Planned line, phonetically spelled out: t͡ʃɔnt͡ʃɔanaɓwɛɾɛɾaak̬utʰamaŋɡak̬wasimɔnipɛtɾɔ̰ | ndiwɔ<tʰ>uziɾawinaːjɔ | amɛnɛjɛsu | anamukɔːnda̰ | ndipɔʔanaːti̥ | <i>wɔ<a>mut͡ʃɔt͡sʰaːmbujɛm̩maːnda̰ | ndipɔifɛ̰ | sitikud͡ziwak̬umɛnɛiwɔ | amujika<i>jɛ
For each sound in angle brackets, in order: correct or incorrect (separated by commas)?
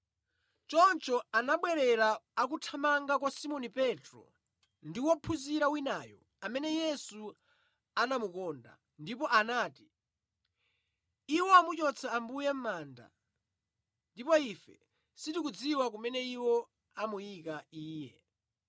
incorrect, correct, correct, incorrect